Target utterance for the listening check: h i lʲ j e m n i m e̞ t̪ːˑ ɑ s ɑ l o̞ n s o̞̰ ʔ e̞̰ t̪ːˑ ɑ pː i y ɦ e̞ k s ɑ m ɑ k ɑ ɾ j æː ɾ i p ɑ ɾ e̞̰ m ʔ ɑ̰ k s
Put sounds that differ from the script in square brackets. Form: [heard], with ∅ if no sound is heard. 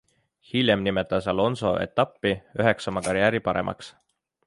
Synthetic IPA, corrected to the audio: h i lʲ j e m n i m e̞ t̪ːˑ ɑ s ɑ l o̞ n s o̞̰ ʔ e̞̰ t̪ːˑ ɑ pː i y ɦ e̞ k s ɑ m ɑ k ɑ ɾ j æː ɾ i p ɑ ɾ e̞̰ m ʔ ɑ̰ k s